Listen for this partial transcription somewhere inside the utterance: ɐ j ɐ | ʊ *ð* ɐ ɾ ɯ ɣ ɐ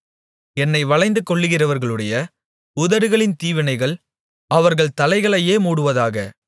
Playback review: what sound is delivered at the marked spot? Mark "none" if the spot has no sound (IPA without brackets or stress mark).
ð